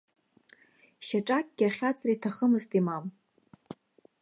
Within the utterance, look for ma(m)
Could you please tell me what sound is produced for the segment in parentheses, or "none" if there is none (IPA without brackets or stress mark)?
m